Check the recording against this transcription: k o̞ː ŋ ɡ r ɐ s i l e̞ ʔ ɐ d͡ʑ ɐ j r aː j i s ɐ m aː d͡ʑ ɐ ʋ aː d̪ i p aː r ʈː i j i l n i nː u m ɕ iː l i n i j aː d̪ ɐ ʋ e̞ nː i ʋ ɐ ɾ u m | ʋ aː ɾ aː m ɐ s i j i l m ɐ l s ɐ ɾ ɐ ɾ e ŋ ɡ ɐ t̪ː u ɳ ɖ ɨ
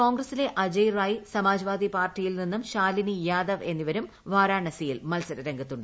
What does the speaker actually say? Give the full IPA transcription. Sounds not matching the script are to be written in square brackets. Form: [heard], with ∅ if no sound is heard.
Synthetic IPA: k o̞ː ŋ ɡ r ɐ s i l e̞ ʔ ɐ d͡ʑ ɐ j r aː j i s ɐ m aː d͡ʑ ɐ ʋ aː d̪ i p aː r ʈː i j i l n i nː u m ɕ [aː] l i n i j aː d̪ ɐ ʋ e̞ nː i ʋ ɐ ɾ u m | ʋ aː ɾ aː [ɳ] ɐ s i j i l m ɐ l s ɐ ɾ ɐ ɾ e ŋ ɡ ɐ t̪ː u ɳ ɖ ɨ

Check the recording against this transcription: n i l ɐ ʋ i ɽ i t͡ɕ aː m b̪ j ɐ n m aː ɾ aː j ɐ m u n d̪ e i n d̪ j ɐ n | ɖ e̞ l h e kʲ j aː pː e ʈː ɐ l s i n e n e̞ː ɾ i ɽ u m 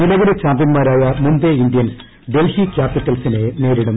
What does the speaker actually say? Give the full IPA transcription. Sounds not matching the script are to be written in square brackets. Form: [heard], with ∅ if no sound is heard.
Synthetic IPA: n i l ɐ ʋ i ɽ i t͡ɕ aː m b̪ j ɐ n m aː ɾ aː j ɐ m u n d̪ e i n d̪ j ɐ n | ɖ e̞ l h [i] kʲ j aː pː [i] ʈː ɐ l s i n e n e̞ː ɾ i ɽ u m

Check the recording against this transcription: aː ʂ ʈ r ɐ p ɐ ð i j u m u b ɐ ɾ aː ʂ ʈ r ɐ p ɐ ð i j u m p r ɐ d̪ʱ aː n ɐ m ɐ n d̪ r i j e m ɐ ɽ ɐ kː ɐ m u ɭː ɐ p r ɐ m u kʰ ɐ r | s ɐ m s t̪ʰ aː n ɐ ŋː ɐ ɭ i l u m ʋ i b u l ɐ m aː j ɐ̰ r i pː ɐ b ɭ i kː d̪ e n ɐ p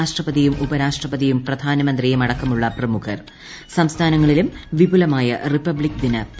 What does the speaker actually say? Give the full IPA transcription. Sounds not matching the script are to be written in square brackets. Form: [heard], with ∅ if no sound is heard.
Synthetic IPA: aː ʂ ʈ r ɐ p ɐ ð i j u m u b ɐ ɾ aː ʂ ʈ r ɐ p ɐ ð i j u m p r ɐ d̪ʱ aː n ɐ m ɐ n d̪ r i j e m ɐ ɽ ɐ kː ɐ m u ɭː ɐ p r ɐ m u kʰ ɐ r | s ɐ m s t̪ʰ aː n ɐ ŋː ɐ ɭ i l u m ʋ i b u l ɐ m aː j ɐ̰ r i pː ɐ b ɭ i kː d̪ [i] n ɐ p

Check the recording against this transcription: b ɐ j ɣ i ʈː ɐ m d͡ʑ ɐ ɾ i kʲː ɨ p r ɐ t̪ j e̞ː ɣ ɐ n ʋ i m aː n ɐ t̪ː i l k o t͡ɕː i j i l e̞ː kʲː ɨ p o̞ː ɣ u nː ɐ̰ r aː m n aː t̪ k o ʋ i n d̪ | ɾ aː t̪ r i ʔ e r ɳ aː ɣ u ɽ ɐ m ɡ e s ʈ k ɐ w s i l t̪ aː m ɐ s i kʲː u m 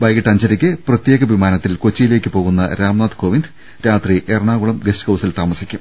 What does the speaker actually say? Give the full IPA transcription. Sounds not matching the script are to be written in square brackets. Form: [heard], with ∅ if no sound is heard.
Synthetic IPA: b ɐ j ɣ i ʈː ɐ [ɲ] d͡ʑ ɐ ɾ i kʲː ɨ p r ɐ t̪ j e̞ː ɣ ɐ [∅] ʋ i m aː n ɐ t̪ː i l k o t͡ɕː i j i l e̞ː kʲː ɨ p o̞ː ɣ u nː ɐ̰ [ɾ] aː m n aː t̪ k o ʋ i n d̪ | ɾ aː t̪ r i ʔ e r ɳ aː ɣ u [ɭ] ɐ m ɡ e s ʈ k ɐ w s i l t̪ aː m ɐ s i kʲː u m

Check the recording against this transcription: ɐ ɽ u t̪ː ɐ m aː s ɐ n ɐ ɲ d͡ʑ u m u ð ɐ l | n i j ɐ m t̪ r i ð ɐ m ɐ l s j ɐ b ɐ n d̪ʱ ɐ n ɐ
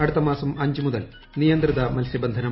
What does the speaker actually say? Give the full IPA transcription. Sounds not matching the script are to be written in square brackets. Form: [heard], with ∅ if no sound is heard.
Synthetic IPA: ɐ ɽ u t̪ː ɐ m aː s ɐ [m] ɐ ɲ d͡ʑ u m u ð ɐ l | n i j ɐ [n] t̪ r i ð ɐ m ɐ l s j ɐ b ɐ n d̪ʱ ɐ n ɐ

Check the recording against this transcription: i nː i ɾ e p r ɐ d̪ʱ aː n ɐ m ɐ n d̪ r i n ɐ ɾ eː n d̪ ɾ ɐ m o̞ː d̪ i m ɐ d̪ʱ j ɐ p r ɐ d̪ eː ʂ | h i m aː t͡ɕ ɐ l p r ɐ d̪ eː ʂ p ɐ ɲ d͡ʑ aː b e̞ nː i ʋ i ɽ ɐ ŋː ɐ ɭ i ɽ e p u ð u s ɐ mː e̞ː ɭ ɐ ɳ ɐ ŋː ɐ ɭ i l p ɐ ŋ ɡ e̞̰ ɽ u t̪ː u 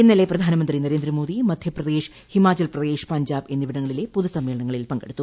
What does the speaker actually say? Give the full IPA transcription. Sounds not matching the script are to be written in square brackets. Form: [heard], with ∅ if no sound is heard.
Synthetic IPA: i nː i [l] e p r ɐ d̪ʱ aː n ɐ m ɐ n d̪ r i n ɐ ɾ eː n d̪ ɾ ɐ m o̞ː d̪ i m ɐ d̪ʱ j ɐ p r ɐ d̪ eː ʂ | h i m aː t͡ɕ ɐ l p r ɐ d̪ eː ʂ p ɐ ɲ d͡ʑ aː b e̞ nː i ʋ i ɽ ɐ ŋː ɐ ɭ i [l] e p u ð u s ɐ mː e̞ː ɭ ɐ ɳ ɐ ŋː ɐ ɭ i l p ɐ ŋ ɡ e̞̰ ɽ u t̪ː u

